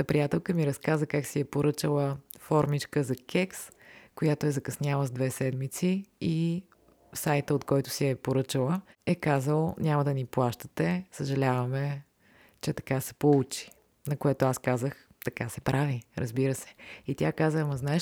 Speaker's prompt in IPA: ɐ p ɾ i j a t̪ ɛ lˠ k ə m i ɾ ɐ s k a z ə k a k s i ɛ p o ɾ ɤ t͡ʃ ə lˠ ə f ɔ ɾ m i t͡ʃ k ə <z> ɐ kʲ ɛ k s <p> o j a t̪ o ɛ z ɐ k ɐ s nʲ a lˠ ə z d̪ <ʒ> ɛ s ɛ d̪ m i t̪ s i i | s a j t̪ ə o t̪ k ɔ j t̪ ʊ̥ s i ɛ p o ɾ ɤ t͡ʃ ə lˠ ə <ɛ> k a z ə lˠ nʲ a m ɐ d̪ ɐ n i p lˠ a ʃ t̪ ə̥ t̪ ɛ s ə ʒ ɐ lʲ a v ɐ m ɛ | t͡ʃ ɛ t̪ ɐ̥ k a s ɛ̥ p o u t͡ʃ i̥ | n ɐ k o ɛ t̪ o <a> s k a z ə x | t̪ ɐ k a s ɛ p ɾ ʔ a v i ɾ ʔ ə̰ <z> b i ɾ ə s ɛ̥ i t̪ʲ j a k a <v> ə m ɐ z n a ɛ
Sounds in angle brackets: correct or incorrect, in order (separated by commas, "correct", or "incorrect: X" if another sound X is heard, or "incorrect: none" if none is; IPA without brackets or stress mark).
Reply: correct, incorrect: k, incorrect: v, correct, correct, correct, incorrect: z